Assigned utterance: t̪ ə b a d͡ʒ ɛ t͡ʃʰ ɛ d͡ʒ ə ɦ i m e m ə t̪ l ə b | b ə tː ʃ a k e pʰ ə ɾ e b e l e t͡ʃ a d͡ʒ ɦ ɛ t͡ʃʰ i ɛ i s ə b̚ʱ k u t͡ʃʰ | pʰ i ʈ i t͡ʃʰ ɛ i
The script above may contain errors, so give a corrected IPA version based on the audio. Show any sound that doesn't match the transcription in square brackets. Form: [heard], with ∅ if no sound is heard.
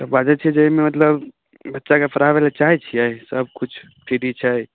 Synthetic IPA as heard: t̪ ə b a d͡ʒ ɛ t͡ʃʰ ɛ d͡ʒ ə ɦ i m e m ə t̪ l ə b | b ə tː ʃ a k e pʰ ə ɾ [a] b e l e t͡ʃ a [∅] ɦ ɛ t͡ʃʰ i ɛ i s ə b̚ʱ k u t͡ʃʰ | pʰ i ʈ i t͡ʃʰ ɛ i